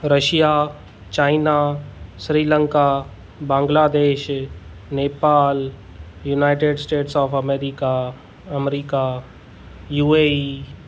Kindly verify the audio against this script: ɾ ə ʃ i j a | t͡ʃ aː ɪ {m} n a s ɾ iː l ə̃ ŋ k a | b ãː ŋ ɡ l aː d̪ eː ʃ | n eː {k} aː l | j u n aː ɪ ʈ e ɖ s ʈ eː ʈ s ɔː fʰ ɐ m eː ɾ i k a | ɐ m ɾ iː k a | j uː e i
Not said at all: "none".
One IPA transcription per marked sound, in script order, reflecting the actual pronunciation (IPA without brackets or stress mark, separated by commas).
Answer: none, p